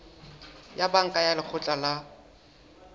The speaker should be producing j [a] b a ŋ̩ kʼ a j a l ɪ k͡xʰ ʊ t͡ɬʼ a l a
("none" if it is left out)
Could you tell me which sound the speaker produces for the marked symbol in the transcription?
a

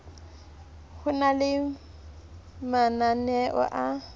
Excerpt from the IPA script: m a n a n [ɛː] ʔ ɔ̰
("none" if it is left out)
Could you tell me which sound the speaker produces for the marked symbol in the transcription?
ɛ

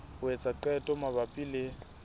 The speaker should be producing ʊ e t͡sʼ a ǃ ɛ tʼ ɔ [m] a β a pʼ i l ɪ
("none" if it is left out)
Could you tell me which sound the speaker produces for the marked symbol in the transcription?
m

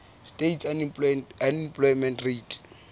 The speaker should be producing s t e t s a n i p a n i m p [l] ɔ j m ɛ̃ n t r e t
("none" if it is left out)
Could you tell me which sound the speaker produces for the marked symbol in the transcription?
l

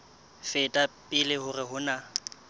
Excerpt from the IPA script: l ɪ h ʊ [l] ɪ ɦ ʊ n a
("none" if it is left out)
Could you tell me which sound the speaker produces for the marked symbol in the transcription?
r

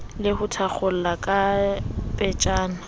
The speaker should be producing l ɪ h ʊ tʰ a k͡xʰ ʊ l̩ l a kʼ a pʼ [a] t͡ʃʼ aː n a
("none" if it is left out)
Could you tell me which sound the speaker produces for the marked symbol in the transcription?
ɛ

